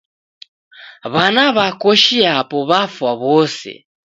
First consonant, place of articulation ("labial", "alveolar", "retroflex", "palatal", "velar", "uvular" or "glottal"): labial